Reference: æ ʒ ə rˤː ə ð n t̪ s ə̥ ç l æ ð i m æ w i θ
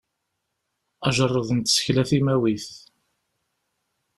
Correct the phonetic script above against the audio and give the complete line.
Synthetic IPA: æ ʒ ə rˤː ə ð n t̪ s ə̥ ç l æ θ i m æ w i θ

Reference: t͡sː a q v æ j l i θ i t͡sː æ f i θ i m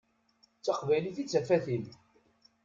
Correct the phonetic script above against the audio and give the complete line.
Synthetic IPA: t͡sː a q v æ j l i θ i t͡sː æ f æ θ i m

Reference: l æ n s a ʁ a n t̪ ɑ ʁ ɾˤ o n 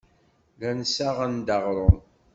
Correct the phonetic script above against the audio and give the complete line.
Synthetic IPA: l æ n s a ʁ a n d̪ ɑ ʁ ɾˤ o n

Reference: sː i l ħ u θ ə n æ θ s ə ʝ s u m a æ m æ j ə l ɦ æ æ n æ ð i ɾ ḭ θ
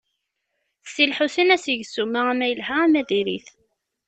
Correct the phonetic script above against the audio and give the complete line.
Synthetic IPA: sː i l ħ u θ ə n æ s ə ʝ s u m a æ m æ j ə l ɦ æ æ m æ ð i ɾ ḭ θ

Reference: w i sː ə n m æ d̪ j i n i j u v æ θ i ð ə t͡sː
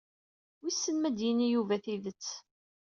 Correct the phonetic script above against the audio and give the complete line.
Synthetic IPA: w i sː ə n m æ d̪ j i n i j u v æ θ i ð ə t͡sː

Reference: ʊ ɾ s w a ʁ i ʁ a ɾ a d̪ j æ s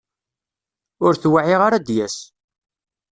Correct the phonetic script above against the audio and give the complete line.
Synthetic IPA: ʊ ɾ θ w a ʕ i ʁ a ɾ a d̪ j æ s

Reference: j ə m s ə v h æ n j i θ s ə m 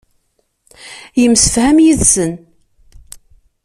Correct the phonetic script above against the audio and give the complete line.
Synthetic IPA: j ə m s ə f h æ m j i ð s ə n

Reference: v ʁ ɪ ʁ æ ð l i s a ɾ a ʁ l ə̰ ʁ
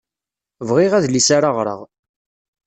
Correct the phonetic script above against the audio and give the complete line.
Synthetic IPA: v ʁ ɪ ʁ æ ð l i s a ɾ a ʁ ɾ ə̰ ʁ

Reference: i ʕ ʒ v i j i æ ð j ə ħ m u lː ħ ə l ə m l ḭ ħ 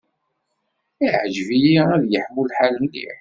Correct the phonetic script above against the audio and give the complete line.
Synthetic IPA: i ʕ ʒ v i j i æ ð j ə ħ m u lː ħ a l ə m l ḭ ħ

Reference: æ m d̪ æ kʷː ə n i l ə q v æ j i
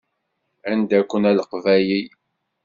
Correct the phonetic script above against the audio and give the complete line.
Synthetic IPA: æ n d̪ æ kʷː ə n æ l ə q v æ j i

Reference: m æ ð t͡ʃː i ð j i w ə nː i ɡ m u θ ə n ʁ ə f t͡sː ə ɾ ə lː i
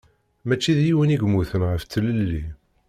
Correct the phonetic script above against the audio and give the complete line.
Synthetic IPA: m æ t͡ʃː i ð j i w ə n i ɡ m u θ ə n ʁ ə f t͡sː ə l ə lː i

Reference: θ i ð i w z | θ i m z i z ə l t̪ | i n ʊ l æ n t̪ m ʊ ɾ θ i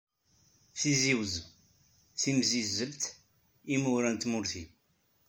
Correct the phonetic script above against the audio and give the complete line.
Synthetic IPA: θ i z i w z | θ i m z i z ə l t̪ | i m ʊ ɾ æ n t̪ m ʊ ɾ θ i

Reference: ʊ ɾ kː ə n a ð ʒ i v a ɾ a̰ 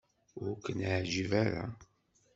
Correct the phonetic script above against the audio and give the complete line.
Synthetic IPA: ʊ ɾ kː ə n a ʕ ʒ i v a ɾ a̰

